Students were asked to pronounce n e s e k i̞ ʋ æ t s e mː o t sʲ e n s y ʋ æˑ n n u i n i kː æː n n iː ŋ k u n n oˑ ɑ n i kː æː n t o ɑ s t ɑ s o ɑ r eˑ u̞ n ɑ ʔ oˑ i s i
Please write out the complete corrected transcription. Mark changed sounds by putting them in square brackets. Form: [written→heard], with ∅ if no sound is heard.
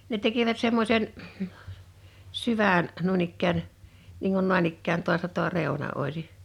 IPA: n e [s→t] e k i̞ ʋ æ t s e mː o [t→∅] sʲ e n s y ʋ æˑ n n u i n i kː æː n n iː ŋ k u n n oˑ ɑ n i kː æː n t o ɑ s t ɑ [s→t] o ɑ r eˑ u̞ n ɑ ʔ oˑ i s i